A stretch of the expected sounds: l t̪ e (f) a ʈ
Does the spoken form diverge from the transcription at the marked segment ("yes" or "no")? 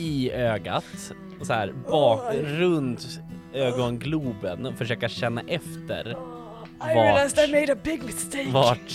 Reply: yes